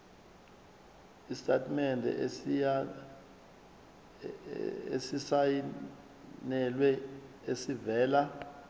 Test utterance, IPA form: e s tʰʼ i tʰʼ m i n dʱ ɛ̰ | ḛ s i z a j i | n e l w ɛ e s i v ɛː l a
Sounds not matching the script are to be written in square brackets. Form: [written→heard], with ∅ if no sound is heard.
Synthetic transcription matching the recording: [e→i] s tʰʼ [i→a] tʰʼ m [i→ɛ] n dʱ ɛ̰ | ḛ s i [z→s] a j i | n [e→ɛ] l w ɛ e s i v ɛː l a

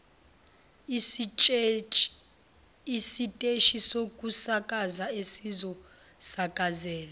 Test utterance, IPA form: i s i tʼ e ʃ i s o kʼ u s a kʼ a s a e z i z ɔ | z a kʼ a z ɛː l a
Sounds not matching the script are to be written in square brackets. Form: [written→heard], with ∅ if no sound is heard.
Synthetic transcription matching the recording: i s i tʼ e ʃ i s o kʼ u s a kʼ a [s→z] a e [z→s] i z ɔ | [z→s] a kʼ a z ɛː l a

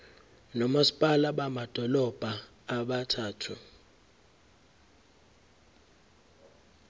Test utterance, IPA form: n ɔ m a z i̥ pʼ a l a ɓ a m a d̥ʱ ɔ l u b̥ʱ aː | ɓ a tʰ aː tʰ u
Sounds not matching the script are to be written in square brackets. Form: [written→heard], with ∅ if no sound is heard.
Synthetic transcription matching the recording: n ɔ m a [z→s] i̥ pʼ a l a ɓ a m a d̥ʱ ɔ l [u→ɔ] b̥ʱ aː | ɓ a tʰ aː tʰ u

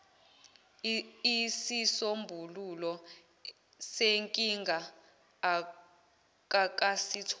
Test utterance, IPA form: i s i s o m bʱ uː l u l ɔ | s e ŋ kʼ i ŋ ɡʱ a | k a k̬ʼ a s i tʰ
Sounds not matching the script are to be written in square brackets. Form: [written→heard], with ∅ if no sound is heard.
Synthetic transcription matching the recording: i s i s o m bʱ [uː→u] l u l ɔ | s e ŋ kʼ i ŋ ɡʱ a | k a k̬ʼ a s i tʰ

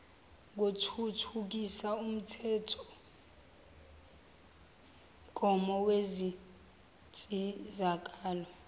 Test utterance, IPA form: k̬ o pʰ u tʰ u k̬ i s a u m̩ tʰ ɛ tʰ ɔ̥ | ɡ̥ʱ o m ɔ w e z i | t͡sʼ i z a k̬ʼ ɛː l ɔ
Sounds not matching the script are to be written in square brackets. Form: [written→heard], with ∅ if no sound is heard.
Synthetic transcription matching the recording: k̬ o [pʰ→tʰ] u tʰ u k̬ i s a u m̩ tʰ ɛ tʰ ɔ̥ | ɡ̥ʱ [o→ɔ] m ɔ w e z i | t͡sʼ i z a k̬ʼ [ɛː→aː] l ɔ

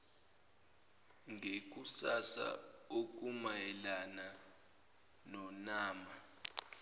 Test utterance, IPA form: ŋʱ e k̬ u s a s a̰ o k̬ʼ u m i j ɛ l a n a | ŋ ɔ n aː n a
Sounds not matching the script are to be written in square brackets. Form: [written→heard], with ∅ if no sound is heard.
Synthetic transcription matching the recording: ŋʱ e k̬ u s a s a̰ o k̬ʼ u m [i→a] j ɛ l a n a | [ŋ→n] ɔ n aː [n→m] a

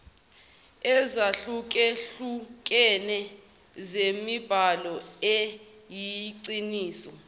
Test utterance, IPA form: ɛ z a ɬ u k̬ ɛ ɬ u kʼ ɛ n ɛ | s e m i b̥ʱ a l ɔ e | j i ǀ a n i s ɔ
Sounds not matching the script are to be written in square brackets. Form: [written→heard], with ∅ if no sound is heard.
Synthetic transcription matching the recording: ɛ z a ɬ u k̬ ɛ ɬ u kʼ ɛ n ɛ | [s→z] e m i b̥ʱ a l ɔ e | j i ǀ [a→i] n [i→iː] s ɔ

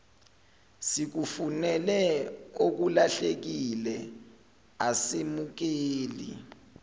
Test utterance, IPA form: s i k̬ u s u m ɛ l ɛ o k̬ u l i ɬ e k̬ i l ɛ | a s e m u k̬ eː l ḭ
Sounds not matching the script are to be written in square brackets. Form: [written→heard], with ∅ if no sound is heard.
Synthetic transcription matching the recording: s i k̬ u [s→f] u [m→n] ɛ l ɛ o k̬ u l [i→a] ɬ e k̬ i l ɛ | a s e m u k̬ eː l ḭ

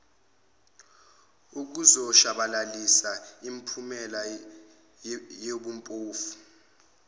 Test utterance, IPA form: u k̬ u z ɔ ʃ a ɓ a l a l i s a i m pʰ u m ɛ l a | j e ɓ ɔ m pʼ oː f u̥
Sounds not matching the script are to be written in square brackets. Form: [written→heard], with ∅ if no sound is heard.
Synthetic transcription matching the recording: u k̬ u z ɔ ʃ a ɓ a l a l i s a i m pʰ u m ɛ l a | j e ɓ [ɔ→u] m pʼ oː f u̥

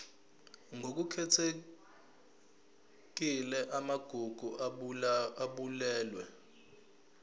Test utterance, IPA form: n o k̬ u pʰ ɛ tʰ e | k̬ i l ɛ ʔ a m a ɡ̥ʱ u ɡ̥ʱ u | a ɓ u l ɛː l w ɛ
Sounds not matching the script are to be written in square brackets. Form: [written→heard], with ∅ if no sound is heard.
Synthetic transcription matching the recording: [n→ŋ] o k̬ u [pʰ→kʰ] ɛ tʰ e | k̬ i l ɛ ʔ a m a ɡ̥ʱ u ɡ̥ʱ u | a ɓ u l ɛː l w ɛ

